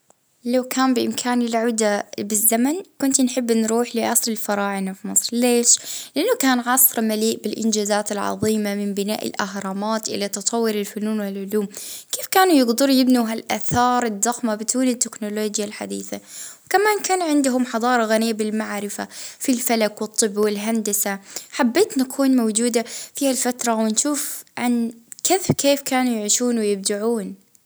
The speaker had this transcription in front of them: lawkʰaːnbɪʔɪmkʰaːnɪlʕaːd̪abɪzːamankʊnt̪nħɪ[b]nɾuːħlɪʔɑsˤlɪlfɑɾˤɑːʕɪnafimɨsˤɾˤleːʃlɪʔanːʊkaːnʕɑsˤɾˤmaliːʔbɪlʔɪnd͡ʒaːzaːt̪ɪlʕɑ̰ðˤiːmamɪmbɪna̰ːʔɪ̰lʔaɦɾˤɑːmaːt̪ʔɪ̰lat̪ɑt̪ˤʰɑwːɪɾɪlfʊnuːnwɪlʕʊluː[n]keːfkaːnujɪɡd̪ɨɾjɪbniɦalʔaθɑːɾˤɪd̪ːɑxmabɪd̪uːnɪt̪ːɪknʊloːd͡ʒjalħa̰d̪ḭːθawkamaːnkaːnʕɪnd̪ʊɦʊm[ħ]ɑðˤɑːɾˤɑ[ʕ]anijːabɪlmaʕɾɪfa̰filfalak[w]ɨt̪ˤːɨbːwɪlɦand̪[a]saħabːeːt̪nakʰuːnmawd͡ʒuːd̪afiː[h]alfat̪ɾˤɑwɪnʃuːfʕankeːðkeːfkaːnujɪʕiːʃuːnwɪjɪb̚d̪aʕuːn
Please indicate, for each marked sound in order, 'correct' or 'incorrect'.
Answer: incorrect, incorrect, correct, incorrect, correct, correct, correct

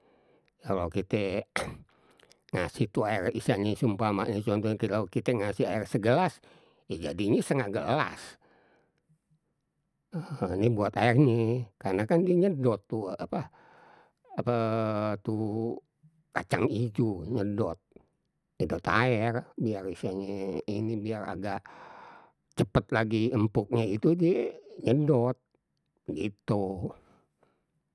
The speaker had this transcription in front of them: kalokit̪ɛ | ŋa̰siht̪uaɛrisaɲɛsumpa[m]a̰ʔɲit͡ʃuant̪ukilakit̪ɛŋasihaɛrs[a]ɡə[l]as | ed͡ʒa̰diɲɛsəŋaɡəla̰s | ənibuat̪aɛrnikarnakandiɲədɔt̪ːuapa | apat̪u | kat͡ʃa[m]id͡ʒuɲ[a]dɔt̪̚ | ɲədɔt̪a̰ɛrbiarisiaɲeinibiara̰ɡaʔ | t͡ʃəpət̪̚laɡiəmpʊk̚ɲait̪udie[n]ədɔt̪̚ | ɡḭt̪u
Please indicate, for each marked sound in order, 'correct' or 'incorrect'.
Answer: correct, incorrect, correct, incorrect, incorrect, incorrect

